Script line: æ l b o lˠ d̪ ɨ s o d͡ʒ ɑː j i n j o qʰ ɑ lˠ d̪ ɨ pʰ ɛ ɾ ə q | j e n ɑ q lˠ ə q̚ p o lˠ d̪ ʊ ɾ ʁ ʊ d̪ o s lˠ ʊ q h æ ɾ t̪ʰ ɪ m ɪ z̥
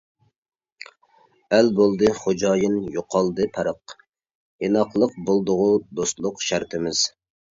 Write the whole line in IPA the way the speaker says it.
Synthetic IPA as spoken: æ l b o lˠ d̪ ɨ χ o d͡ʒ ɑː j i n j o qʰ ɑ lˠ d̪ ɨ pʰ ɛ ɾ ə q | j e n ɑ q lˠ ə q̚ b o lˠ d̪ ʊ ʁ ʊ d̪ o s lˠ ʊ q ʃ æ ɾ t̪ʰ ɪ m ɪ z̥